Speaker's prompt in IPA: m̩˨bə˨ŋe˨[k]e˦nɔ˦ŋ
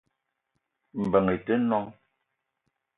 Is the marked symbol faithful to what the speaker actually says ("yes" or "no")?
no